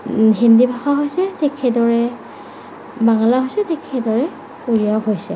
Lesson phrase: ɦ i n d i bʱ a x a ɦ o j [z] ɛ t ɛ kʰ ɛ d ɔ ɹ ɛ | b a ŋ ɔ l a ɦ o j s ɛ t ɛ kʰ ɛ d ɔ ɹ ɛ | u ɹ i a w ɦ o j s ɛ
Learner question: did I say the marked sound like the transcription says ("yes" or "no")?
no